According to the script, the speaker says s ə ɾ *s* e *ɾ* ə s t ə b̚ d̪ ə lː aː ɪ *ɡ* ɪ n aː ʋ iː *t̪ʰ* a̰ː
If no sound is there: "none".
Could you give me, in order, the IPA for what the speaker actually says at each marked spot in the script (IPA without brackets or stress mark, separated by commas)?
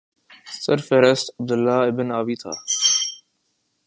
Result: f, ɾ, b, t̪ʰ